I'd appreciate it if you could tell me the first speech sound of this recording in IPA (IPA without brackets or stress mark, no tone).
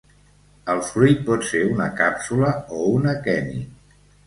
ə